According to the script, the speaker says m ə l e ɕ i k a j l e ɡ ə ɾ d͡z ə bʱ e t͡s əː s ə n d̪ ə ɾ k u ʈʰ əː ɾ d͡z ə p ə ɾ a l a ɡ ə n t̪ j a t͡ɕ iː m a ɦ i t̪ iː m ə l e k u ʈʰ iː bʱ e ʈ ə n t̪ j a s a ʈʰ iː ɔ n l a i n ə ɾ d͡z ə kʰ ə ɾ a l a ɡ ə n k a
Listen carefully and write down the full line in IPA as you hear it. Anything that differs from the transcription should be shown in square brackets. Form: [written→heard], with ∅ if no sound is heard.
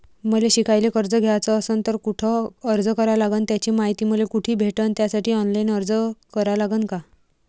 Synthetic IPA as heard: m ə l e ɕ i k a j l e [ɡ→k] ə ɾ d͡z ə [bʱ→ɡʱ] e t͡s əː s ə n [d̪→t̪] ə ɾ k u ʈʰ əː ɾ d͡z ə [p→k] ə ɾ a l a ɡ ə n t̪ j a t͡ɕ iː m a ɦ i t̪ iː m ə l e k u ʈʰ iː bʱ e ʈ ə n t̪ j a s a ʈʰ iː ɔ n l a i n ə ɾ d͡z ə [kʰ→k] ə ɾ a l a ɡ ə n k a